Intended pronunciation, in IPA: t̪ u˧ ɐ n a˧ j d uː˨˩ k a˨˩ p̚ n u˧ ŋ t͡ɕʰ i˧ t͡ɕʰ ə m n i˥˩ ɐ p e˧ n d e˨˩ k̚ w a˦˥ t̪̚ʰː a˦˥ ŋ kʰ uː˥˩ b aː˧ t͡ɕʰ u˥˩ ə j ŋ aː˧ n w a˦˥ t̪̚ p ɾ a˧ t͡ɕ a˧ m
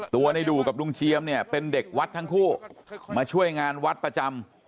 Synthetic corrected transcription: t̪ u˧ ɐ n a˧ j d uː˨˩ k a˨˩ p̚ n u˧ ŋ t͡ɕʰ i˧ ə m n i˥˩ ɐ p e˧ n d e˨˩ k̚ w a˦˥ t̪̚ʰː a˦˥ ŋ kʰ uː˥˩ m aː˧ t͡ɕʰ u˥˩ ə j ŋ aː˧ n w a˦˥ t̪̚ p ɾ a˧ t͡ɕ a˧ m

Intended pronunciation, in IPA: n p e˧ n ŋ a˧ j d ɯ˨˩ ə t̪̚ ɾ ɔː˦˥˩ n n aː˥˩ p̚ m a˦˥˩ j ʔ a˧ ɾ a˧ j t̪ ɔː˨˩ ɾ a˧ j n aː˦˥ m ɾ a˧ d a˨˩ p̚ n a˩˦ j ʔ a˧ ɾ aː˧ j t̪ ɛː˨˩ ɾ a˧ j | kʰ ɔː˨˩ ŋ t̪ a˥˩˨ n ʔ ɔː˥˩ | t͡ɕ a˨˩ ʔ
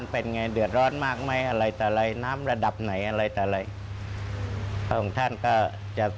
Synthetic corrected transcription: n p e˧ n ŋ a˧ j d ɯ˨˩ ə t̪̚ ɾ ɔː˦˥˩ n m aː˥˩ k̚ m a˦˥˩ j ʔ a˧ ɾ a˧ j t̪ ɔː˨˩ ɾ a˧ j n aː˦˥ m ɾ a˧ d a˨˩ p̚ n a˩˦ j ʔ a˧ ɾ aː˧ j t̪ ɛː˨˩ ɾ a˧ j | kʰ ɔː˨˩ ŋ t̪ʰ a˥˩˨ n k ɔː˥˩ | t͡ɕ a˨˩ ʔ

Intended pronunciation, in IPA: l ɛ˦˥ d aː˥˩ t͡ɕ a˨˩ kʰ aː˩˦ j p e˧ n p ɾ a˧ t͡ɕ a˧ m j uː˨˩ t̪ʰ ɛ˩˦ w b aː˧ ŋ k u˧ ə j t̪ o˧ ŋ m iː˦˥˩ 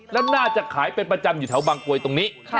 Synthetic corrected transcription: l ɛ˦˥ n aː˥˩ t͡ɕ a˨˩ kʰ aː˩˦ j p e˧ n p ɾ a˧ t͡ɕ a˧ m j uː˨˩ t̪ʰ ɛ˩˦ w b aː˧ ŋ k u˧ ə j t̪ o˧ ŋ n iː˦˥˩

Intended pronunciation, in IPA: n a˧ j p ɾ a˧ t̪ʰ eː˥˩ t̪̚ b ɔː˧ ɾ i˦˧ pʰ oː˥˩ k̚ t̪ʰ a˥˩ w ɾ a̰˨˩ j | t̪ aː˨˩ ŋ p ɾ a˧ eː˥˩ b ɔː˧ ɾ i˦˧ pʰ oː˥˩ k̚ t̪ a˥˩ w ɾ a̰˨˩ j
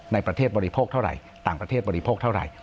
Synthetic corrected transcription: n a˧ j p ɾ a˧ t̪ʰ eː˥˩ t̪̚ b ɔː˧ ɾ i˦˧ pʰ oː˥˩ k̚ t̪ʰ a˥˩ w ɾ a̰˨˩ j | t̪ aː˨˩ ŋ p ɾ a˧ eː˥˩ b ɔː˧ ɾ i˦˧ pʰ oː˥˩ k̚ t̪ʰ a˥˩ w ɾ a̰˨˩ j

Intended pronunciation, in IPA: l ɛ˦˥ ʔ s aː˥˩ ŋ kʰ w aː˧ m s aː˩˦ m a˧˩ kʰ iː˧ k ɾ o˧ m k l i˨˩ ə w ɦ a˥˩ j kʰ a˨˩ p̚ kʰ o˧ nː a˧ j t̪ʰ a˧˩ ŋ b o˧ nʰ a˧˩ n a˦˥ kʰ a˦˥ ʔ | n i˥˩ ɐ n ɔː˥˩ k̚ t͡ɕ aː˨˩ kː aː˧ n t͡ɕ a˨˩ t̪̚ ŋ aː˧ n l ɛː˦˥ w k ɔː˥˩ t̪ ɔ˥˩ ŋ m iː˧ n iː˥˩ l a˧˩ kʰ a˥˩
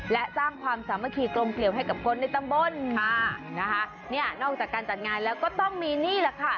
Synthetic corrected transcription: l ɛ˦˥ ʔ s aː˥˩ ŋ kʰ w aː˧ m s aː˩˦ m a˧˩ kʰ iː˧ k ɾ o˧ m k l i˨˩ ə w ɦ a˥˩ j k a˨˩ p̚ kʰ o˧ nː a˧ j t̪ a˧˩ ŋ b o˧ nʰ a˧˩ n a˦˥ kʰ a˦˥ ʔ | n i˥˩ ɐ n ɔː˥˩ k̚ t͡ɕ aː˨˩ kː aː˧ n t͡ɕ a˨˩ t̪̚ ŋ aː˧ n l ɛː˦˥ w k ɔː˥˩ t̪ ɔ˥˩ ŋ m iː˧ n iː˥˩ l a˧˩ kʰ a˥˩

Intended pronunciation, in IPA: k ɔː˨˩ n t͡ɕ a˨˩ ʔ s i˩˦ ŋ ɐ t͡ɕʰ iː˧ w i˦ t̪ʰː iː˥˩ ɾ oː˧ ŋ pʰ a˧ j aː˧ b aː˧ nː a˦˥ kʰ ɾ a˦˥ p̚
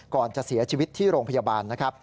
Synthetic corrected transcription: k ɔː˨˩ n t͡ɕ a˨˩ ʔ s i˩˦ ɐ t͡ɕʰ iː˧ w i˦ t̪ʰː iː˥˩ ɾ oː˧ ŋ pʰ a˧ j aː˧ b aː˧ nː a˦˥ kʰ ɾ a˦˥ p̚

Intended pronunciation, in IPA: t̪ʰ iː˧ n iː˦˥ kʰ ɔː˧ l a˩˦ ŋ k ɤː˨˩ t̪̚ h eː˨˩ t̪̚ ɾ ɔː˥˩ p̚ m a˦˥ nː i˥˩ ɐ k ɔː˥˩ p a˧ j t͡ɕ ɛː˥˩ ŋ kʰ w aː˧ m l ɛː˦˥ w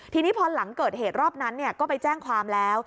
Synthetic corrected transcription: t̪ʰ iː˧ n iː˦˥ pʰ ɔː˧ l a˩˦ ŋ k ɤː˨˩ t̪̚ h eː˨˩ t̪̚ ɾ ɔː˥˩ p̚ n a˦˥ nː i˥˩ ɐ k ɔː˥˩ p a˧ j t͡ɕ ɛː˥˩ ŋ kʰ w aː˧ m l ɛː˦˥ w

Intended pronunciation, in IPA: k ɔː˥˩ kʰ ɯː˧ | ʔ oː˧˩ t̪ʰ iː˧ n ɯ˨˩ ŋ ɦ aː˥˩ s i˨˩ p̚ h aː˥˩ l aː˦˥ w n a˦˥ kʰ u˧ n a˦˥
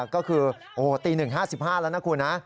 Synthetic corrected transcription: k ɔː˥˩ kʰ ɯː˧ | ʔ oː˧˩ t̪ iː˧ n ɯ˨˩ ŋ ɦ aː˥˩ s i˨˩ p̚ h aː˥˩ l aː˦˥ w n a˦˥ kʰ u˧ n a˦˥

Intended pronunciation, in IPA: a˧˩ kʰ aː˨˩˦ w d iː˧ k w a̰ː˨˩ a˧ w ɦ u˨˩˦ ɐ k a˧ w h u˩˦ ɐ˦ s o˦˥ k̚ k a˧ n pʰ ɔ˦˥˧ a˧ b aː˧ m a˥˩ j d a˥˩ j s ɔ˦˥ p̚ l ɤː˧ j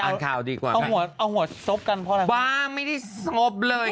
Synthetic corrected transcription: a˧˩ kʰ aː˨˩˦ w d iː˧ k w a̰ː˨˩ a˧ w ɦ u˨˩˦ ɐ ʔ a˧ w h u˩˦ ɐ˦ s o˦˥ p̚ k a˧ n pʰ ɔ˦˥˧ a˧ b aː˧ m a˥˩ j d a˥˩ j s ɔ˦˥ p̚ l ɤː˧ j

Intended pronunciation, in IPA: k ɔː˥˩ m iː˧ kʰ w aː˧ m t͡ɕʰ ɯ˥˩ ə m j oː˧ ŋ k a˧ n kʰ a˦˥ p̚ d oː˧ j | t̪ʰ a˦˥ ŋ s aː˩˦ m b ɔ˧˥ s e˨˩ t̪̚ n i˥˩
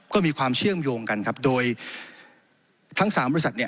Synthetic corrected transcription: k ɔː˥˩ m iː˧ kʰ w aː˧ m t͡ɕʰ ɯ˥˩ ə m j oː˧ ŋ k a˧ n kʰ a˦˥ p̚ d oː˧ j | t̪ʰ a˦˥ ŋ s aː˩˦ m b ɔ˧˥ s a˨˩ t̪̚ n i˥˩

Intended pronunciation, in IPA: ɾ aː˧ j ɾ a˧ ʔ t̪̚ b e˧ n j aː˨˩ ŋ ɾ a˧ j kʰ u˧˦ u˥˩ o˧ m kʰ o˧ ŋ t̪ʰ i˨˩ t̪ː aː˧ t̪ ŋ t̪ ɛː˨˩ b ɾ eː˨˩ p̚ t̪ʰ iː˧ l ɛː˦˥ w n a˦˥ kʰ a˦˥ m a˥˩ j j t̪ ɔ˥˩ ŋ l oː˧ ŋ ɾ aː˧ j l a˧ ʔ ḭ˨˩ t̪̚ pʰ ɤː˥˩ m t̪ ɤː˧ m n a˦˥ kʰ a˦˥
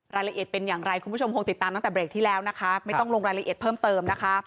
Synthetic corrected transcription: ɾ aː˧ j l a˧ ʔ t̪̚ p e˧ n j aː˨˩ ŋ ɾ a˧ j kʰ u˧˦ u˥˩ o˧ m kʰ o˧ ŋ t̪ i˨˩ t̪ː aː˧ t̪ ŋ t̪ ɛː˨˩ b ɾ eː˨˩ k̚ t̪ʰ iː˥˩ l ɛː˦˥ w n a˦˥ kʰ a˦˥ m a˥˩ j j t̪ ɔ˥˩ ŋ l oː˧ ŋ ɾ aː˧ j l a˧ ʔ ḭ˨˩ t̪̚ pʰ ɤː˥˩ m t̪ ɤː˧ m n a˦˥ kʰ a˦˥

